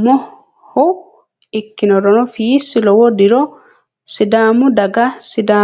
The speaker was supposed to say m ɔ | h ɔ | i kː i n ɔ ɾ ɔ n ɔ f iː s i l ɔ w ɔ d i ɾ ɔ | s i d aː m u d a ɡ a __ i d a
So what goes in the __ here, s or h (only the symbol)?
s